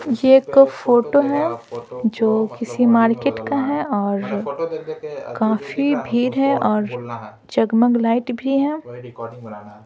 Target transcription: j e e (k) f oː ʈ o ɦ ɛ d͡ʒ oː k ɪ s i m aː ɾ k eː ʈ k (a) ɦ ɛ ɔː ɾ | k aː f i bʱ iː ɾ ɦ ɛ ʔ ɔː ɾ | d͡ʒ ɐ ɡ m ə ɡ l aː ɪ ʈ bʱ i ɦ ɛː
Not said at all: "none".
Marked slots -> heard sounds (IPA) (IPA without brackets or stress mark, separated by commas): k, a